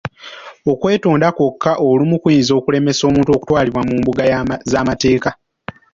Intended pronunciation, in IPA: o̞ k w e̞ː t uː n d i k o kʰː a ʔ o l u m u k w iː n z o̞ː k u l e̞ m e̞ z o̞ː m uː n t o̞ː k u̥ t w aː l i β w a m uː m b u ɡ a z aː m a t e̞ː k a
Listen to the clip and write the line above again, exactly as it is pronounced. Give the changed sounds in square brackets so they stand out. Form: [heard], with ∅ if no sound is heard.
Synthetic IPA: o̞ k w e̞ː t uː n d [a] k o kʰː a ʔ o l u m u k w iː n z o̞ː k u l e̞ m e̞ [s] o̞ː m uː n t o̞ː k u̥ t w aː l i β w a m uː m b u ɡ a z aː m a t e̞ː k a

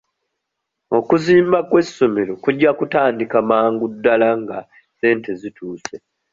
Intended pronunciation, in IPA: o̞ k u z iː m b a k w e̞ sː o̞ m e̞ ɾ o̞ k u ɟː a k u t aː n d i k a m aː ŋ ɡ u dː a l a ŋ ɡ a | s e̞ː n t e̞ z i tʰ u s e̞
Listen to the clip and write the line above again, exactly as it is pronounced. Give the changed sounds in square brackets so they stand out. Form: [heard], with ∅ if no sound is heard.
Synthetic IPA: o̞ k u z iː m b a k w e̞ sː o̞ m e̞ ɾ o̞ k u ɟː a k u t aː n d i k a m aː ŋ ɡ u dː a l a ŋ ɡ a | s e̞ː n t e̞ z i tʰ [uː] s e̞

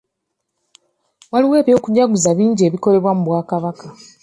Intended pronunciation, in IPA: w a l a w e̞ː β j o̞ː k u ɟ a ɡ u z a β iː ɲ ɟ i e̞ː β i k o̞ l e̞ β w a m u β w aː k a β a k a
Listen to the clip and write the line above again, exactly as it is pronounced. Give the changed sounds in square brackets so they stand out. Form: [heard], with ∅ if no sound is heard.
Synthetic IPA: w a l [i] w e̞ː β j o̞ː k u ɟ a ɡ u z a β iː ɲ ɟ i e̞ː β i k o̞ l e̞ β w a m u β w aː k a β a k a

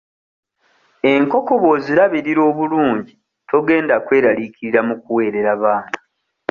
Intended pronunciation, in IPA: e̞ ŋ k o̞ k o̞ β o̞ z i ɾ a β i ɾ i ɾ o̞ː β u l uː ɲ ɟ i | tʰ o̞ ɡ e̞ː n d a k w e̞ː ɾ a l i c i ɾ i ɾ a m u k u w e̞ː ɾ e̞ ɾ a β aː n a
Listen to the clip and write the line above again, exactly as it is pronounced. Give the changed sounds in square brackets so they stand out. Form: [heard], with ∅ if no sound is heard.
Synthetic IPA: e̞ ŋ k o̞ k o̞ β o̞ z i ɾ a β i ɾ i ɾ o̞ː β u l uː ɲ ɟ i | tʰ o̞ ɡ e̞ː n d a k w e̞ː ɾ a l i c i ɾ i ɾ a m u k u w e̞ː ɾ e̞ ɾ a β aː n a

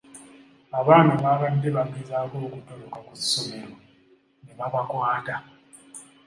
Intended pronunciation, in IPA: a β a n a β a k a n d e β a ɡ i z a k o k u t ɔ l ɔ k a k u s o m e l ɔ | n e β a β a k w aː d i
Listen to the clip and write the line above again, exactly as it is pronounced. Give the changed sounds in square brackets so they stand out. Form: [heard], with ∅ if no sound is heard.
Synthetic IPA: a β a n a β a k a n d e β a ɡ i z a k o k u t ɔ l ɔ k a k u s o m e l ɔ | n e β a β a k w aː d [a]

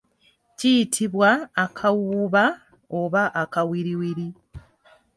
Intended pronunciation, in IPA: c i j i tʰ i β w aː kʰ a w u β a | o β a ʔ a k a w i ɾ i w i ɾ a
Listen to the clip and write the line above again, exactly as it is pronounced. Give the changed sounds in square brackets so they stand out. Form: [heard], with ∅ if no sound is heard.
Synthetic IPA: c i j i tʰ i β w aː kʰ a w u β a | o β a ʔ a k a w i ɾ i w i ɾ [i]

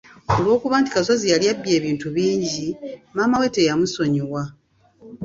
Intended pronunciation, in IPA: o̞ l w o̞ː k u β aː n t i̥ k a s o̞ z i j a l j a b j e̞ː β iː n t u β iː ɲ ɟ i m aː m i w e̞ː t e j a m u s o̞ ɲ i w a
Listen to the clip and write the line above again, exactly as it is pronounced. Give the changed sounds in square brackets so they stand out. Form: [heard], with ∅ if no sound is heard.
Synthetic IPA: o̞ l w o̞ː k u β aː n t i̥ k a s o̞ z i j a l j a b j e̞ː β iː n t u β iː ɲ ɟ i m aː m [a] w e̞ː t e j a m u s o̞ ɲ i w a

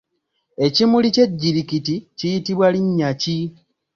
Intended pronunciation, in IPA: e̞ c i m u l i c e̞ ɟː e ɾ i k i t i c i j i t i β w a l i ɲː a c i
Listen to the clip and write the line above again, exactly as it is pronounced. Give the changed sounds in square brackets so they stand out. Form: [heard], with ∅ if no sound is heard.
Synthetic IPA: e̞ c i m u l i c e̞ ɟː [i] ɾ i k i t i c i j i t i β w a l i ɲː a c i

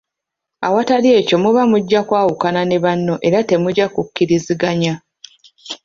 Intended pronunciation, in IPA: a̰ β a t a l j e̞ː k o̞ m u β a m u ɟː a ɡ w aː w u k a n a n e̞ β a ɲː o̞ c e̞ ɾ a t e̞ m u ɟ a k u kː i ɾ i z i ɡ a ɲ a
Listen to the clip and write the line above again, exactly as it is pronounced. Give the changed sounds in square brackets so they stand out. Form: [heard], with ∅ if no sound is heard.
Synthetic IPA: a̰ [w] a t a l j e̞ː [c] o̞ m u β a m u ɟː a [k] w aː w u k a n a n e̞ β a [nː] o̞ [ʔ] e̞ ɾ a t e̞ m u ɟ a k u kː i ɾ i z i ɡ a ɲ a

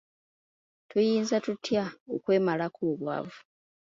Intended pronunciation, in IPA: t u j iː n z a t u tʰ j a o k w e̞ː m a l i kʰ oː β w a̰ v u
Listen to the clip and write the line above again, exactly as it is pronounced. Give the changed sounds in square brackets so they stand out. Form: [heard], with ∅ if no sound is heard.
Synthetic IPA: t u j iː n z a t u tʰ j a o k w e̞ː m a l [a] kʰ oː β w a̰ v u

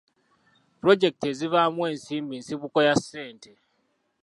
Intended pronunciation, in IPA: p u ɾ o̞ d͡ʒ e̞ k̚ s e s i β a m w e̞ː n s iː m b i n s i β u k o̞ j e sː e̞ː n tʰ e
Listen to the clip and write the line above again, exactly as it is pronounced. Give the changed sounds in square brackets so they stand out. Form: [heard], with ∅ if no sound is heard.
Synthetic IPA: p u ɾ o̞ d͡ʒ e̞ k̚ [t] e [z] i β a m w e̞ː n s iː m b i n s i β u k o̞ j [a] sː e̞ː n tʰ e

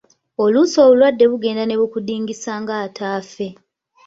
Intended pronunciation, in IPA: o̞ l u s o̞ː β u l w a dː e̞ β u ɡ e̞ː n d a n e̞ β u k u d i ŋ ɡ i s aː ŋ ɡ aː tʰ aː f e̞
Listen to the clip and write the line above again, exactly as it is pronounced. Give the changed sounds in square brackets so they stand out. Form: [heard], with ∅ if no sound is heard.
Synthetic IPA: o̞ l u s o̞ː β u l w a dː e̞ β u ɡ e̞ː n d a n e̞ β u k u d [iː] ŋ ɡ i s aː ŋ ɡ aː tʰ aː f e̞

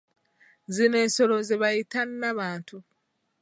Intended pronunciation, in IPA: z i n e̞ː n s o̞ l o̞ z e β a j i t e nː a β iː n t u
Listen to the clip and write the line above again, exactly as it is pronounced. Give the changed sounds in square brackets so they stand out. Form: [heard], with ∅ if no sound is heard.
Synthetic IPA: z i n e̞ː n s o̞ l o̞ z e β a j i t [a] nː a β [aː] n t u

